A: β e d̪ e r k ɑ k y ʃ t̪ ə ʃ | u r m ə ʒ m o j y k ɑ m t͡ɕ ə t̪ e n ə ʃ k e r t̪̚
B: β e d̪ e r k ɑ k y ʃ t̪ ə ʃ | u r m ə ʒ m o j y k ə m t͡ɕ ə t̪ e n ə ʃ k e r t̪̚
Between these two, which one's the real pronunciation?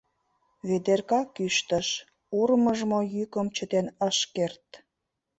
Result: B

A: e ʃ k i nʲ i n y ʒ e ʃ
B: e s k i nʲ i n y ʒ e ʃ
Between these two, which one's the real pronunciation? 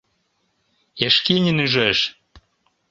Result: A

